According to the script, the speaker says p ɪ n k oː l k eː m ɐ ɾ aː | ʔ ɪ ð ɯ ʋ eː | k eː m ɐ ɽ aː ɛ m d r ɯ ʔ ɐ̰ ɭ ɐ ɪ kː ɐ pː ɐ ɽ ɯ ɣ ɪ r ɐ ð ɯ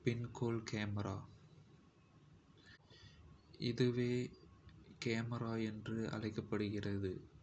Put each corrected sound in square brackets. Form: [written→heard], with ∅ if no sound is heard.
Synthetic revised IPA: p ɪ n k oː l k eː m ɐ ɾ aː | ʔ ɪ ð ɯ ʋ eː | k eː m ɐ [ɽ→ɾ] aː ɛ [m→n] d r ɯ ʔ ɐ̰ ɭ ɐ ɪ kː ɐ pː ɐ ɽ ɯ ɣ ɪ r ɐ ð ɯ